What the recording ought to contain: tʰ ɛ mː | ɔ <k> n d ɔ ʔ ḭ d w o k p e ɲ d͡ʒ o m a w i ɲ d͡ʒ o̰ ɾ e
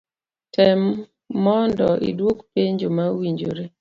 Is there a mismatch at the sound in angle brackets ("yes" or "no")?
yes